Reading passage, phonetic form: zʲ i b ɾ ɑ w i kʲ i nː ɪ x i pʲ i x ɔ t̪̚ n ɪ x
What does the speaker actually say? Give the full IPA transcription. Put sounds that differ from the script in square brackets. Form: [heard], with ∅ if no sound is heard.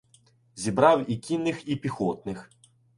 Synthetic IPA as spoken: zʲ i b ɾ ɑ w i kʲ i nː ɪ x i pʲ i x ɔ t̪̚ n ɪ x